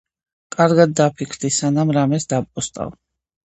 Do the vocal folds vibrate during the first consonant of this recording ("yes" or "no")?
no